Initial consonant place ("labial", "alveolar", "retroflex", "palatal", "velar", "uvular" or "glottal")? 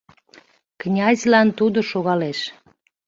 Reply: velar